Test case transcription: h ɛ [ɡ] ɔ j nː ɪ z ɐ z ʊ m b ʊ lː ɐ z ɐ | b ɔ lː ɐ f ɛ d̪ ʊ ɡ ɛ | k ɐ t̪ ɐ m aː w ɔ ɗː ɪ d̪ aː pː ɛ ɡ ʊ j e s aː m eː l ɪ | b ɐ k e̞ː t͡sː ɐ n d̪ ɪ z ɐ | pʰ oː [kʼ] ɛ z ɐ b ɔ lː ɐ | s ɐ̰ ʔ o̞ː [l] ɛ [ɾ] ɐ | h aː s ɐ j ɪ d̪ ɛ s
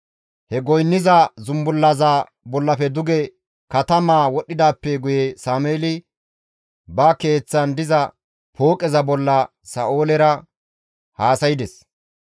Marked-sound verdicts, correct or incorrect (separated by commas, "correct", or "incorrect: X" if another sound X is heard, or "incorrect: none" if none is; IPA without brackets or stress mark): correct, correct, correct, correct